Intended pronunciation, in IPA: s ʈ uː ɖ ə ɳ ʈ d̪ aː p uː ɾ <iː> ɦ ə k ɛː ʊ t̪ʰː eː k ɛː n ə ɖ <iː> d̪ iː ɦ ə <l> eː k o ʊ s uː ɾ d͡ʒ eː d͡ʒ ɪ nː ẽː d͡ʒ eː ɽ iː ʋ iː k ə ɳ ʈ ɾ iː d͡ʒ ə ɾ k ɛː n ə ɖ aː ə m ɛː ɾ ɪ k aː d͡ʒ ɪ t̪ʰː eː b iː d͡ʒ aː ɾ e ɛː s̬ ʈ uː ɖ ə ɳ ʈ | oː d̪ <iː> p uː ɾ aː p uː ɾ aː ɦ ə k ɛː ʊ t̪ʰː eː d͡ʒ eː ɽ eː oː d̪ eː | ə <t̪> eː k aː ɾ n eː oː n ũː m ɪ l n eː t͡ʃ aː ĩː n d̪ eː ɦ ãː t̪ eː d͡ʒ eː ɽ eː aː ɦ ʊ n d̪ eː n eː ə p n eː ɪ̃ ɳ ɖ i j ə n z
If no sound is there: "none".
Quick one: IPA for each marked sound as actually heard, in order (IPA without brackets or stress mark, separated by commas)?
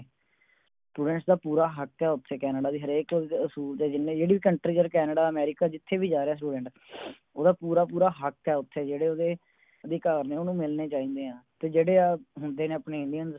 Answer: aː, aː, ɾ, aː, d̪